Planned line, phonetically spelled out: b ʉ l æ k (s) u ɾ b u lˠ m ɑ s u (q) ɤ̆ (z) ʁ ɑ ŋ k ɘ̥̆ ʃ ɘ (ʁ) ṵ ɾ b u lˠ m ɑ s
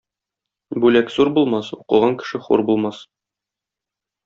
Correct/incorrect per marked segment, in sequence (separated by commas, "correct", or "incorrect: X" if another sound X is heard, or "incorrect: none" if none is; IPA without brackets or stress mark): incorrect: z, correct, incorrect: none, incorrect: χ